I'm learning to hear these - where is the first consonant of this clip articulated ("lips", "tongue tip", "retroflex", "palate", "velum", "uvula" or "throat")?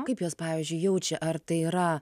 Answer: velum